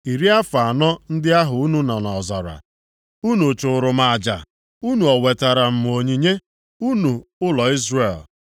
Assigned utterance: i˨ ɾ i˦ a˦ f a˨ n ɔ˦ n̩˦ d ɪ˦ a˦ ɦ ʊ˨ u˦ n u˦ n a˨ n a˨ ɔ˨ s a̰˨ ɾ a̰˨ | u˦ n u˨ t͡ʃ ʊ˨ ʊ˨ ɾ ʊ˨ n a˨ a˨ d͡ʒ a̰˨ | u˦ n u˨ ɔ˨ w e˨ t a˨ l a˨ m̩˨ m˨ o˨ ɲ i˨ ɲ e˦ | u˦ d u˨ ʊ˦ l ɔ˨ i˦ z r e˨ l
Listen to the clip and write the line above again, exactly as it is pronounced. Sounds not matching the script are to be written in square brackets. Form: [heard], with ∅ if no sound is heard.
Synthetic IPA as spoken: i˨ ɾ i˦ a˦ f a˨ n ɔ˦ n̩˦ d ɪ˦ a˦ ɦ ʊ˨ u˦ n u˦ n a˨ n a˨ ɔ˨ [z] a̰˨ ɾ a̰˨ | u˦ n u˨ t͡ʃ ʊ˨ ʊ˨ ɾ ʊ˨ [m] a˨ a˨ d͡ʒ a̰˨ | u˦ n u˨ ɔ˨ w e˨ t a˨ [ɾ] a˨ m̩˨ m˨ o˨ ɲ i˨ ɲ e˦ | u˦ [n] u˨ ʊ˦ l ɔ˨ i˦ z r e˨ l